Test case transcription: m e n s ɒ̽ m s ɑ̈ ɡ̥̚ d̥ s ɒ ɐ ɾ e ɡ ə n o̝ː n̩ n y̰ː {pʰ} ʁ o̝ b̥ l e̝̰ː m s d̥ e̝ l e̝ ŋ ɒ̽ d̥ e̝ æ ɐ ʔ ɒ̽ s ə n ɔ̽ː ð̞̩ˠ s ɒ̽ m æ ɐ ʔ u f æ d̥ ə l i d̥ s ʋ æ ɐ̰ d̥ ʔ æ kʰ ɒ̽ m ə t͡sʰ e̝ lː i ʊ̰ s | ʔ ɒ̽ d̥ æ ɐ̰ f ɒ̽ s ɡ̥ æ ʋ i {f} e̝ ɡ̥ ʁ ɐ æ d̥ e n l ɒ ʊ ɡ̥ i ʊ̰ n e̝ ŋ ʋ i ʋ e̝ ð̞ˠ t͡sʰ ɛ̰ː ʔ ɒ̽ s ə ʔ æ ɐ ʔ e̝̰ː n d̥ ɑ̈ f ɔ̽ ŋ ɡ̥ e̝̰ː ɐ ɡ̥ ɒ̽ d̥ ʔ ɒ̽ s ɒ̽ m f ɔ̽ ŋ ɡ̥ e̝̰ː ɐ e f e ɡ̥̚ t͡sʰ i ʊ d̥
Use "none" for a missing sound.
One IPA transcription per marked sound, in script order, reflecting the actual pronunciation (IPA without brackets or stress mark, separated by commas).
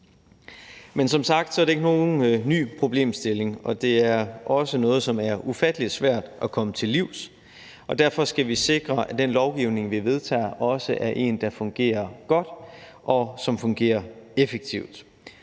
pʰ, s